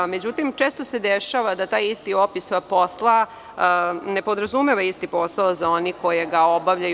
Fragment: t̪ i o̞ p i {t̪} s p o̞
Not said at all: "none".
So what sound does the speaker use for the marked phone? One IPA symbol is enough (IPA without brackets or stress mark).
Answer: none